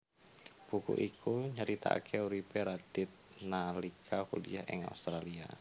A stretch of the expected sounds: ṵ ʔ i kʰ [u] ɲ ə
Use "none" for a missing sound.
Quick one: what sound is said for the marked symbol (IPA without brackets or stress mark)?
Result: u